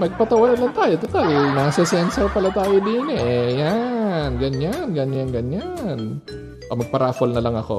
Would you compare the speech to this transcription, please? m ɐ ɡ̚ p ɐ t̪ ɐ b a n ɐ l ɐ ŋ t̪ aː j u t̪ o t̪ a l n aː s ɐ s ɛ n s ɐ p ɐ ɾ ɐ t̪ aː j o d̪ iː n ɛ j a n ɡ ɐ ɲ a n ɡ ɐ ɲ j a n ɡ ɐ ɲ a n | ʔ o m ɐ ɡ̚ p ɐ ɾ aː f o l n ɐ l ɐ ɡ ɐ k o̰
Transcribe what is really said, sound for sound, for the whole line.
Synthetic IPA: m ɐ ɡ̚ p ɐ t̪ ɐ w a n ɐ l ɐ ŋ t̪ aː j o t̪ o t̪ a l n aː s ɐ s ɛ n s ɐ p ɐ l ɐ t̪ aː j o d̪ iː n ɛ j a n ɡ ɐ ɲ a n ɡ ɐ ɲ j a n ɡ ɐ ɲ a n | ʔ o m ɐ ɡ̚ p ɐ ɾ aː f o l n ɐ l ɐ ŋ ɐ k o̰